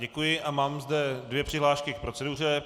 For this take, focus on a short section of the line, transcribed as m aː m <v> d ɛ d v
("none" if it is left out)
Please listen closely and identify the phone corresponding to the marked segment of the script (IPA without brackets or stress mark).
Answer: z